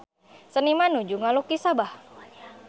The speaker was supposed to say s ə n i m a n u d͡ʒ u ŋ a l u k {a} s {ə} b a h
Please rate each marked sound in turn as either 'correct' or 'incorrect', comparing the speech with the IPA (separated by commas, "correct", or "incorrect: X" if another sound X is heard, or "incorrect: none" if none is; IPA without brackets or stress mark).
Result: incorrect: i, incorrect: a